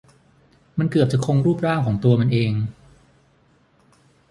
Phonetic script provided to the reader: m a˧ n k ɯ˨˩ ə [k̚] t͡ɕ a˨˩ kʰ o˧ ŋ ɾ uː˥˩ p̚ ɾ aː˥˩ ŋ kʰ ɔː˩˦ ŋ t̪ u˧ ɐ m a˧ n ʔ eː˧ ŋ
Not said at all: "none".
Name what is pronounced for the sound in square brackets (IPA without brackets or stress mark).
p̚